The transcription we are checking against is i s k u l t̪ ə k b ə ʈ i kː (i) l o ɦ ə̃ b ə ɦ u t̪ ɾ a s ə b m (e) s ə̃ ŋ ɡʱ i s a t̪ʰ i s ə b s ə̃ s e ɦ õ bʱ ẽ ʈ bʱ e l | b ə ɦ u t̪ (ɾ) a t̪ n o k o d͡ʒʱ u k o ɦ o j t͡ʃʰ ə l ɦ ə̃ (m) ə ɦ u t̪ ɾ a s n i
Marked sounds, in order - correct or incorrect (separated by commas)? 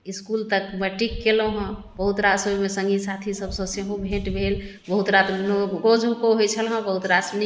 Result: incorrect, correct, correct, incorrect